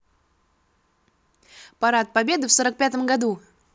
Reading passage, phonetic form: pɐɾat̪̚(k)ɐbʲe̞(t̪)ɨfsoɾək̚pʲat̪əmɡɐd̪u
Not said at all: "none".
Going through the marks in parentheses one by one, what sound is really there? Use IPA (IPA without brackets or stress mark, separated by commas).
p, d̪